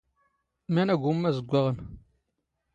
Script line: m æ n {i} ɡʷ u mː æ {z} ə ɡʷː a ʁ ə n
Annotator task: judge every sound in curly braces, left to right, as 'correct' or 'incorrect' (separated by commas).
incorrect, correct